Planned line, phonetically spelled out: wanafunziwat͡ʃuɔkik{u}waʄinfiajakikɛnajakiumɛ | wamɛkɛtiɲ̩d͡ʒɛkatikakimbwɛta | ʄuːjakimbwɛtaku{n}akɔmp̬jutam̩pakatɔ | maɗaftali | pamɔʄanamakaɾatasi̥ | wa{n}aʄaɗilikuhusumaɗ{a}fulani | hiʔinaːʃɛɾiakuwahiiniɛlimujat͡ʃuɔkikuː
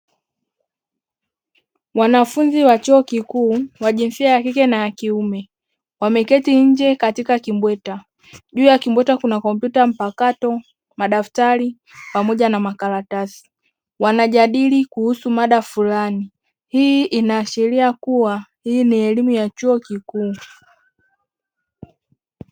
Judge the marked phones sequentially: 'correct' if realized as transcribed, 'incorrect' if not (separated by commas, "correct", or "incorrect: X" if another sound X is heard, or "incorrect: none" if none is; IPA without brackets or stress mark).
incorrect: uː, correct, correct, correct